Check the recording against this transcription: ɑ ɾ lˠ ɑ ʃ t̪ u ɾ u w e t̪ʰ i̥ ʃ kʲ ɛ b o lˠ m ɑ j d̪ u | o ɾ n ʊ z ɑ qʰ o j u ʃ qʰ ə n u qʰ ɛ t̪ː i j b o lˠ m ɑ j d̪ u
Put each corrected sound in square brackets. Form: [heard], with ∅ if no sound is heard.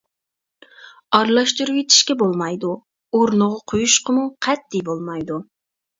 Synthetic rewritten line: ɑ ɾ lˠ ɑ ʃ t̪ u ɾ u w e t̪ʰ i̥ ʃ kʲ ɛ b o lˠ m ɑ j d̪ u | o ɾ n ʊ [ʁ] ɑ qʰ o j u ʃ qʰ ə [m] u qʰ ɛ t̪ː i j b o lˠ m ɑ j d̪ u